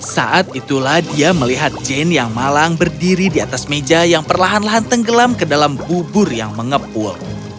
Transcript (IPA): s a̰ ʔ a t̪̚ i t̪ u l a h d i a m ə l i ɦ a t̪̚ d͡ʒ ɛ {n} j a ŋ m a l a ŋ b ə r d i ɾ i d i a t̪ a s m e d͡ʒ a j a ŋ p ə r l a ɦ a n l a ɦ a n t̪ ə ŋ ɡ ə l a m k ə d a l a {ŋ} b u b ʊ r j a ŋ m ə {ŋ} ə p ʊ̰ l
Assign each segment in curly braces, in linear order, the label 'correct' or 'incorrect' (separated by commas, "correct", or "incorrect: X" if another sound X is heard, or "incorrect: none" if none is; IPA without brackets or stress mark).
correct, incorrect: m, correct